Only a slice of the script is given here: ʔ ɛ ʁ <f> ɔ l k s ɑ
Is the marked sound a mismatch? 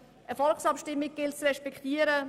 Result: no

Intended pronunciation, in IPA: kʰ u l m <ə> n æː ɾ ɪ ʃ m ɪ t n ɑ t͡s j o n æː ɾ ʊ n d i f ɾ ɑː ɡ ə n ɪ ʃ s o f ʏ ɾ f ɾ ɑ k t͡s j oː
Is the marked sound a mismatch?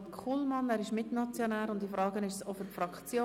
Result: yes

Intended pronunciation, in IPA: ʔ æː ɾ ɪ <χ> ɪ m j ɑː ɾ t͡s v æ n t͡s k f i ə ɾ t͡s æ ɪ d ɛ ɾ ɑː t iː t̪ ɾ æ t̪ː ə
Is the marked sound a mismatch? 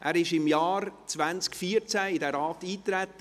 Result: yes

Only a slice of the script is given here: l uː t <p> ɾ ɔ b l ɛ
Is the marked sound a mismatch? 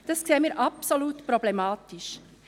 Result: no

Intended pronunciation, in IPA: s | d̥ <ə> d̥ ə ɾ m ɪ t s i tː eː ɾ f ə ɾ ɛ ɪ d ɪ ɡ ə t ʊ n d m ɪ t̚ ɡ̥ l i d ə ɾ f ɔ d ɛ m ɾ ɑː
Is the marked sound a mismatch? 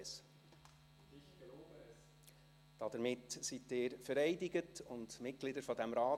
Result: yes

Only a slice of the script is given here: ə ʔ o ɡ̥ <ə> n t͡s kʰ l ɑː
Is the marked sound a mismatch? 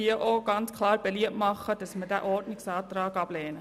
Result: yes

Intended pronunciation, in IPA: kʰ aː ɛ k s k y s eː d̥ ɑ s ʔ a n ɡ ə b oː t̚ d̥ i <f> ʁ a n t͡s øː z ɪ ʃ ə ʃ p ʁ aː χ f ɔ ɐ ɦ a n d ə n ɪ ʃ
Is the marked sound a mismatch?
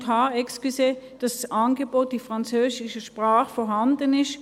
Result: no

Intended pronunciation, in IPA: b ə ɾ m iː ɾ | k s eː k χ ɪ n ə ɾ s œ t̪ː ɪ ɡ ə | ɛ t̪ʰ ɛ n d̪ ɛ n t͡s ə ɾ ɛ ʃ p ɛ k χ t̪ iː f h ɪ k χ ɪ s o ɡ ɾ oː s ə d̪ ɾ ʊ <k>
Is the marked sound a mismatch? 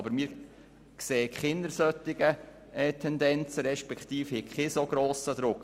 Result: no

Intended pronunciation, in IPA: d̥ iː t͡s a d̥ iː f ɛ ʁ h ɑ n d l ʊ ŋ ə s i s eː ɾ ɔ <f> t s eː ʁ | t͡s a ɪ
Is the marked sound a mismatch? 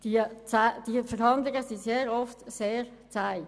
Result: no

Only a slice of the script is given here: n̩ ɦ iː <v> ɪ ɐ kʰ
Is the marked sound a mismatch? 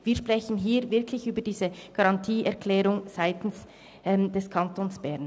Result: no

